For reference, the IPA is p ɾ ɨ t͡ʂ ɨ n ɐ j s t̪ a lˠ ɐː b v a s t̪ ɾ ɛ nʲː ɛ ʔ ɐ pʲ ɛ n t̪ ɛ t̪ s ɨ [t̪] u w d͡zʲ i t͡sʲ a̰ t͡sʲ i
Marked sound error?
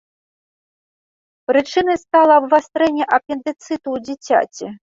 no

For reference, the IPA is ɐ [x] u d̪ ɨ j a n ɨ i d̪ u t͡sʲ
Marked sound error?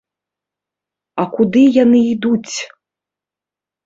yes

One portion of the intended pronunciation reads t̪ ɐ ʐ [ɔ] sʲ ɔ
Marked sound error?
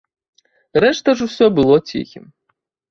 yes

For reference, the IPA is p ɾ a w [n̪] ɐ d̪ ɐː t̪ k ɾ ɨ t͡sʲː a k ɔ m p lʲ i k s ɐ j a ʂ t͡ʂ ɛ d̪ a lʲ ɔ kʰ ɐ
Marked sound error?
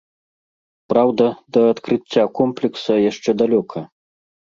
yes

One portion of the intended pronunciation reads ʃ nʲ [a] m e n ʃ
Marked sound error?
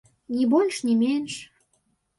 yes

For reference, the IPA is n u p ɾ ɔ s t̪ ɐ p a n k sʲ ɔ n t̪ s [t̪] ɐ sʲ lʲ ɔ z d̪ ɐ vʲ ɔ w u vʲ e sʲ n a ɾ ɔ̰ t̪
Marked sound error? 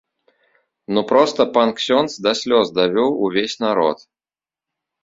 yes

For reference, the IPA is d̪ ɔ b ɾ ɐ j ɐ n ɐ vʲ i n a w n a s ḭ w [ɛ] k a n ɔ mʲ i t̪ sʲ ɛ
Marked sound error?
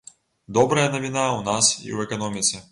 no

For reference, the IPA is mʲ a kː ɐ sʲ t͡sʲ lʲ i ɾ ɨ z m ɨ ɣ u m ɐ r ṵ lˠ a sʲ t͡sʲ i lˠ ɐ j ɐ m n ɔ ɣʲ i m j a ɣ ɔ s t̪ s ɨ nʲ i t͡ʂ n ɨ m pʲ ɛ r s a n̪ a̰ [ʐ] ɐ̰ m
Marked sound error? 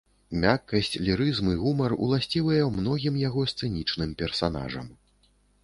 no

